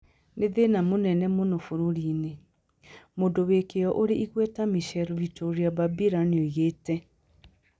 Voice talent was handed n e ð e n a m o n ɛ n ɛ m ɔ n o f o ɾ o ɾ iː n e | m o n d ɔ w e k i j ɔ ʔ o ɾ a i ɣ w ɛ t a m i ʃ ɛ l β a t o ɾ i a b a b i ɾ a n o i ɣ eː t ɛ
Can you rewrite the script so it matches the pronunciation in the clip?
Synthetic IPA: n e ð e n a m o n ɛ n ɛ m o n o f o ɾ o ɾ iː n e | m o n d o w e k e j ɔ ʔ o ɾ e i ɣ w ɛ t a m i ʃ ɛ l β i t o ɾ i a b a b i ɾ a n o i ɣ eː t ɛ